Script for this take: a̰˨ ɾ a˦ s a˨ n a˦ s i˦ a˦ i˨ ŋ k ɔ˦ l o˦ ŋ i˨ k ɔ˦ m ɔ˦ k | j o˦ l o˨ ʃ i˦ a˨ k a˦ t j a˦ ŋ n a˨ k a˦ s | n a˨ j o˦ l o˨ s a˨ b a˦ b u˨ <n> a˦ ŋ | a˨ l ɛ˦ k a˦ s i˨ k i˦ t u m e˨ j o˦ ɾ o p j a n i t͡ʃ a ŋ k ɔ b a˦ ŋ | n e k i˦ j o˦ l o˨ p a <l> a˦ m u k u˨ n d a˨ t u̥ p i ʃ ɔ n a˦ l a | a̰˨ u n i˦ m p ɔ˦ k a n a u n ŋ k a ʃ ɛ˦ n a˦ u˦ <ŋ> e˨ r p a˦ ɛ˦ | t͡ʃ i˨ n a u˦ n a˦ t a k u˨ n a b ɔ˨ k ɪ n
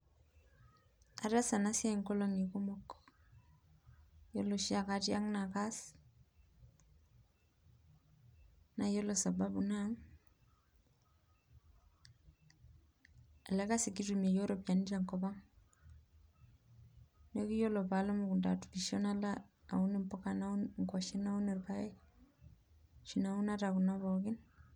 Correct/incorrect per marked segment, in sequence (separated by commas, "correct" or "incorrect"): correct, correct, incorrect